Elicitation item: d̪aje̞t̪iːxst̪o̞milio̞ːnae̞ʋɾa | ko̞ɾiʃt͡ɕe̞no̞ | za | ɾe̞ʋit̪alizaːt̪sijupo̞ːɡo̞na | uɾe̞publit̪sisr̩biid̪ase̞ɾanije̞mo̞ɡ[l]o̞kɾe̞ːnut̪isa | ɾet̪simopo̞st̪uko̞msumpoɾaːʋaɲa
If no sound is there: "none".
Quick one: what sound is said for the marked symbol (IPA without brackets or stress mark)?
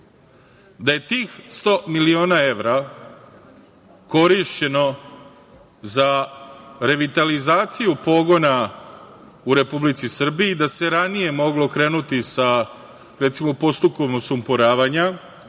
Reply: l